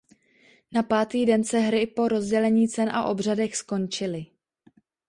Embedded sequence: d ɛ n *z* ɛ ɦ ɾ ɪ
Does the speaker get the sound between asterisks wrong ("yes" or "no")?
yes